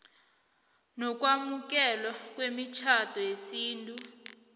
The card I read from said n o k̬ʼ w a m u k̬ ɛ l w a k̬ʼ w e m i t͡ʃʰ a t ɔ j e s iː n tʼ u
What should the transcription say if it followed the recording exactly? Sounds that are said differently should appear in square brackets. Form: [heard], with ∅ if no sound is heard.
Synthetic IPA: n [ɔ] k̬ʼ w a m u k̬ ɛ l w a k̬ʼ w e m i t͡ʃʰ a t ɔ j e s iː n tʼ u